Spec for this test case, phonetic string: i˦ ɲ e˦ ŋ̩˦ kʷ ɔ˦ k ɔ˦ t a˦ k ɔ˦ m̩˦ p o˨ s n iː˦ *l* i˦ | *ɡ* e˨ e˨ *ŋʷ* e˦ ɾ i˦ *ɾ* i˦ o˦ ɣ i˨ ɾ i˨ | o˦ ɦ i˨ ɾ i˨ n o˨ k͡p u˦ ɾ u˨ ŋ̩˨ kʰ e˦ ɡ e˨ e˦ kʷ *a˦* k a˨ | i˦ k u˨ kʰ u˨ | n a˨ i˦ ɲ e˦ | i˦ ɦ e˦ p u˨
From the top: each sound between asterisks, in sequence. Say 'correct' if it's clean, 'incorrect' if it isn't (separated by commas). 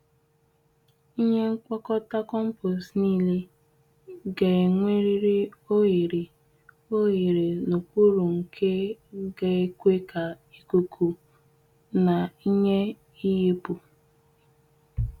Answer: correct, correct, correct, correct, incorrect